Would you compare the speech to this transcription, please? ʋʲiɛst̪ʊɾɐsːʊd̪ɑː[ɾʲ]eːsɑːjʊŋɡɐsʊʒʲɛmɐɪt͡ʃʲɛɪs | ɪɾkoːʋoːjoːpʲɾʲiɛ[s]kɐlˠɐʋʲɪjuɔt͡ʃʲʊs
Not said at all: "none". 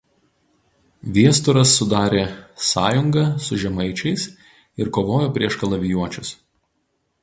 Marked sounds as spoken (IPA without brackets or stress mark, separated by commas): ɾʲ, ʃ